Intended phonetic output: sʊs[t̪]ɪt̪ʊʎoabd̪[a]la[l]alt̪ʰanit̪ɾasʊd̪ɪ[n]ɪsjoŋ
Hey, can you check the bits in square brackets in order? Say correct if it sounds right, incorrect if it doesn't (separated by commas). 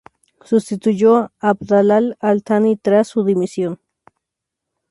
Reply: correct, correct, correct, incorrect